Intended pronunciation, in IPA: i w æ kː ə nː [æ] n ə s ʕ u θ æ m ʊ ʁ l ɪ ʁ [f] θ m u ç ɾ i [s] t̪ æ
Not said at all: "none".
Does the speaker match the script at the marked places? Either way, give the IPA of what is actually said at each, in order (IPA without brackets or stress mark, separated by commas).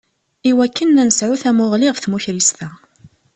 æ, f, s